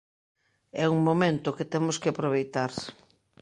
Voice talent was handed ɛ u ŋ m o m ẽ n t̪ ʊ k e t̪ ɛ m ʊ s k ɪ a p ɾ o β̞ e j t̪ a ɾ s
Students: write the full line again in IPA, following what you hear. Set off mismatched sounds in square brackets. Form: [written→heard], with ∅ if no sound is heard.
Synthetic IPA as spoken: ɛ u ŋ m o m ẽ n t̪ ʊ k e t̪ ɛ m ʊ s k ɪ a p ɾ o β̞ e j t̪ a ɾ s